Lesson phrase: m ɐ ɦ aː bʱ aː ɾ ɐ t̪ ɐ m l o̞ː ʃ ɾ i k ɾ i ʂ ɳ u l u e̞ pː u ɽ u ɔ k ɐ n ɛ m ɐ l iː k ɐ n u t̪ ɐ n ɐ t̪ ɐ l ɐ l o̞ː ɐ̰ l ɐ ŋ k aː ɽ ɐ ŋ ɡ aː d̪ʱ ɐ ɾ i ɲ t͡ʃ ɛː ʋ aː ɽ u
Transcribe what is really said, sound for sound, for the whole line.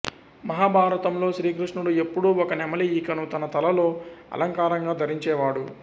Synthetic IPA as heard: m ɐ ɦ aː bʱ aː ɾ ɐ t̪ ɐ m l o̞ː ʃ ɾ iː k ɾ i ʂ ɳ u ɽ u e̞ pː u ɽ u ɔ k ɐ n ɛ m ɐ l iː k ɐ n u t̪ ɐ n ɐ t̪ ɐ l ɐ l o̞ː ɐ̰ l ɐ ŋ k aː ɾ ɐ ŋ ɡ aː d̪ʱ ɐ ɾ i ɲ t͡ʃ ɛː ʋ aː ɽ u